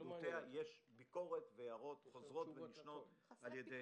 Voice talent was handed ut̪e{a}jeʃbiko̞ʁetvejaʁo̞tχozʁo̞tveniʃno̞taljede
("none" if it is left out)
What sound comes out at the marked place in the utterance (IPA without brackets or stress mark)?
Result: a